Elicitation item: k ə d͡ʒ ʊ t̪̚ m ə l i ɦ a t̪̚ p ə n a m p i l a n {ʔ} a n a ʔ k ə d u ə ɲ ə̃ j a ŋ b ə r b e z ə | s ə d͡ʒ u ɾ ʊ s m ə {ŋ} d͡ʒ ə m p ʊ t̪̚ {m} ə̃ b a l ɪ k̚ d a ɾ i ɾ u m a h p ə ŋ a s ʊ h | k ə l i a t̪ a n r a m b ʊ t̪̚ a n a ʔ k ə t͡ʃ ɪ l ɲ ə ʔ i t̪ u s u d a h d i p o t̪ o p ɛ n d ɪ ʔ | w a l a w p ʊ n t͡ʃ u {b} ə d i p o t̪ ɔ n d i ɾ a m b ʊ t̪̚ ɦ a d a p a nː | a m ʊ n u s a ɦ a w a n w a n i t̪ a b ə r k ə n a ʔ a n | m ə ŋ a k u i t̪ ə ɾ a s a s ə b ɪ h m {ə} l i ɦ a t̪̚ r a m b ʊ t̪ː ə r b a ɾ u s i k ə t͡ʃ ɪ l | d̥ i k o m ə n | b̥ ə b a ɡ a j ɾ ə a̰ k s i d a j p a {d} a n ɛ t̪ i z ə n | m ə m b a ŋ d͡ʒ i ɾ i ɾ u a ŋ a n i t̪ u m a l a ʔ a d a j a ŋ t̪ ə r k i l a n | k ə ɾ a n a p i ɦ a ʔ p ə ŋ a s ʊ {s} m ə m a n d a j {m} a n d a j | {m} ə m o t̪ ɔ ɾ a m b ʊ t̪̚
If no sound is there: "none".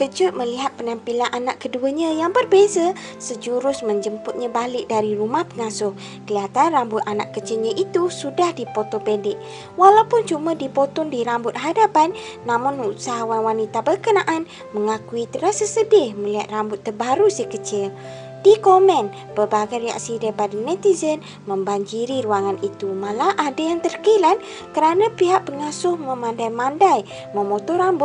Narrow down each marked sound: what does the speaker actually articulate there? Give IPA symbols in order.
ʔ, ɲ, ɲ, m, ə, d, h, m, m

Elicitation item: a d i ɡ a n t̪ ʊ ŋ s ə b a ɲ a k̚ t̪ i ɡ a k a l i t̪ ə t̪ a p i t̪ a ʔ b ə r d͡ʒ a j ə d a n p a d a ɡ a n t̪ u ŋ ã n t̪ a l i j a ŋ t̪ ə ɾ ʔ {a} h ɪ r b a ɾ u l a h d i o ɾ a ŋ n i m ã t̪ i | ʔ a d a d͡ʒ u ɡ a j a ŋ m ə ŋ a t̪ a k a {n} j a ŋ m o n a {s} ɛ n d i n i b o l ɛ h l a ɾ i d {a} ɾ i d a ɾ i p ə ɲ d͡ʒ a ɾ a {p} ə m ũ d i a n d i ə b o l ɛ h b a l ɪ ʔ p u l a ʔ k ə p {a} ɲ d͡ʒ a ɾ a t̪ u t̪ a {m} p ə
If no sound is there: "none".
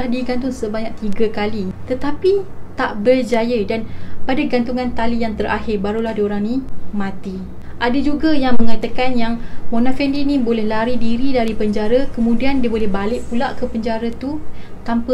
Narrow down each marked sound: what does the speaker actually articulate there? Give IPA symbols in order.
a, n, f, i, k, ə, m

